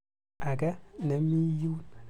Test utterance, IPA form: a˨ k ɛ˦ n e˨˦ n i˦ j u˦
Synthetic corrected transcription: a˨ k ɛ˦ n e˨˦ m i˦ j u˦